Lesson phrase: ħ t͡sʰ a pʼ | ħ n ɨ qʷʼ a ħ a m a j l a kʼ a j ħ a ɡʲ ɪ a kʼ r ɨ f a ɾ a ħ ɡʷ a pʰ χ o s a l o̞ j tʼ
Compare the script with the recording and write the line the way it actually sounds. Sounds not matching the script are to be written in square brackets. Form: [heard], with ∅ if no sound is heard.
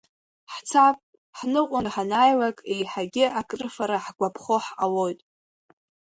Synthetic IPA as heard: ħ t͡sʰ a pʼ | ħ n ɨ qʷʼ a ħ a [n] a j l a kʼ [e] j ħ a ɡʲ ɪ a kʼ r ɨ f a ɾ a ħ ɡʷ a pʰ χ o [ħ] a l o̞ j tʼ